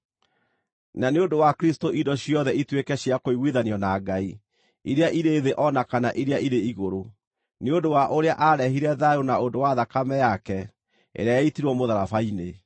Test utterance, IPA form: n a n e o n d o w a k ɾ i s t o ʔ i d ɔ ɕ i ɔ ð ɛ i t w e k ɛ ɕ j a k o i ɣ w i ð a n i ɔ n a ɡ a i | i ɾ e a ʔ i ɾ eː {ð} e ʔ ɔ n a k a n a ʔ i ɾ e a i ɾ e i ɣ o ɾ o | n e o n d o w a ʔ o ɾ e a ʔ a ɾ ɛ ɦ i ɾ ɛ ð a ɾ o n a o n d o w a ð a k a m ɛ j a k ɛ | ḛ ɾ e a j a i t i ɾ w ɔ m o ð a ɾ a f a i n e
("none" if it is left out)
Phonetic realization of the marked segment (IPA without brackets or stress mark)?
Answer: ð